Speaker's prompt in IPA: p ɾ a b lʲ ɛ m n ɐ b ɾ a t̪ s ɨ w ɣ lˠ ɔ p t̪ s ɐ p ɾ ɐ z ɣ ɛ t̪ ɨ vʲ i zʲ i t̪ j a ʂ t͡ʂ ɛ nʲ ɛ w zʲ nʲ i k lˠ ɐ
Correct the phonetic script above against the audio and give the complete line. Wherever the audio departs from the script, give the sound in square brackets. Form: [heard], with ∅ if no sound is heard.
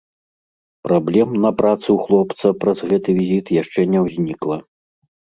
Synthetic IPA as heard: p ɾ a b lʲ ɛ m n ɐ [p] ɾ a t̪ s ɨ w [x] lˠ ɔ p t̪ s ɐ p ɾ ɐ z ɣ ɛ t̪ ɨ vʲ i zʲ i t̪ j a ʂ t͡ʂ ɛ nʲ ɛ w zʲ nʲ i k lˠ ɐ